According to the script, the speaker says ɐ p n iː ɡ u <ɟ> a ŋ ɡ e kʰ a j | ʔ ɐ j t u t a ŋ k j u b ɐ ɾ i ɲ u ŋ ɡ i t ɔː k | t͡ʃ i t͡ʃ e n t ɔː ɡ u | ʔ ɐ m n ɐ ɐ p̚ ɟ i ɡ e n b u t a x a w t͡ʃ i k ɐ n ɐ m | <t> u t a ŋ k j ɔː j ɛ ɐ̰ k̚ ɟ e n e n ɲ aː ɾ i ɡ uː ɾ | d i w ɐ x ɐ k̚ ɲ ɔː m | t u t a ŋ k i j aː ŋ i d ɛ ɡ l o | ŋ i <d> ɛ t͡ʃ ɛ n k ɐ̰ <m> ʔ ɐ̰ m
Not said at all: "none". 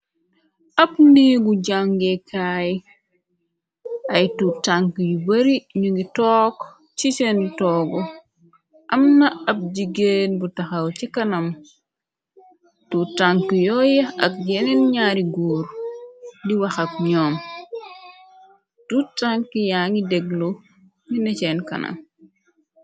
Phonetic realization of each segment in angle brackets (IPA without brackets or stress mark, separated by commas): ɟ, t, n, n